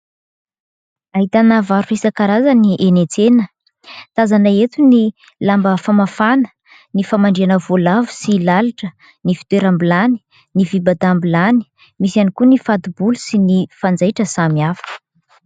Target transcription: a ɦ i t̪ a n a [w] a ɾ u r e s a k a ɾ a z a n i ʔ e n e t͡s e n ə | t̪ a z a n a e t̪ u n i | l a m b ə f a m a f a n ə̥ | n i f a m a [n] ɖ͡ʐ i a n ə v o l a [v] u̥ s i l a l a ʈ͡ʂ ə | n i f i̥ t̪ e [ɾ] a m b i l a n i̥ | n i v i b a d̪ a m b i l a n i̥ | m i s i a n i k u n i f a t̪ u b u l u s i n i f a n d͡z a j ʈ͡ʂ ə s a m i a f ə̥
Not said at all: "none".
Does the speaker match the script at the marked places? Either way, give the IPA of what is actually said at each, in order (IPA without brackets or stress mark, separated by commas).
v, ɳ, v, ɾ